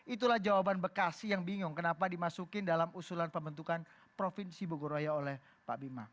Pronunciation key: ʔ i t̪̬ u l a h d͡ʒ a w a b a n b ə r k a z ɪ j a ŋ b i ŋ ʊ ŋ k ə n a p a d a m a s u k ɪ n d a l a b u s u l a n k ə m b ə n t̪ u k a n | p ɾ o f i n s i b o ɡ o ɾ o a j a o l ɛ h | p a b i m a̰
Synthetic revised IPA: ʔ i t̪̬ u l a h d͡ʒ a w a b a n b ə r k a s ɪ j a ŋ b i ŋ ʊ ŋ k ə n a p a d i m a s u k ɪ n d a l a m u s u l a n p ə m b ə n t̪ u k a n | p ɾ o f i n s i b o ɡ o ɾ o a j a o l ɛ h | p a b i m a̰